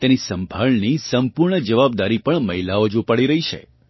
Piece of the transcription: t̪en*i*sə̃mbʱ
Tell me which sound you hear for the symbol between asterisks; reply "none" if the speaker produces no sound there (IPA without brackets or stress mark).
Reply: i